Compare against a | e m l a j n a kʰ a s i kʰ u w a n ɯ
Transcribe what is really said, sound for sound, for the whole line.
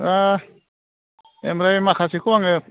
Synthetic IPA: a | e m ɾ a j m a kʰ a s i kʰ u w a ŋ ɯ